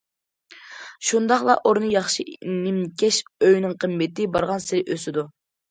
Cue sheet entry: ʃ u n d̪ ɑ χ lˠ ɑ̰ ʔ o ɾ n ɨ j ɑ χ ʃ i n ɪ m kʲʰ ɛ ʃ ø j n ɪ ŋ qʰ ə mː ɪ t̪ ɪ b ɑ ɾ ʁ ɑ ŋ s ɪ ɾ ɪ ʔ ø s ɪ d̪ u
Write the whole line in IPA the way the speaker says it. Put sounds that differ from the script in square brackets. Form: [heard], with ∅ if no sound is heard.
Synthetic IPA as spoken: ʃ u n d̪ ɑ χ lˠ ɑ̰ ʔ o ɾ n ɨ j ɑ χ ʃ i n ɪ m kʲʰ ɛ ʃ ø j n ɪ ŋ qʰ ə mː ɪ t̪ ɪ b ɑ ɾ ʁ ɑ [n] s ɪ ɾ ɪ ʔ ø s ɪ d̪ u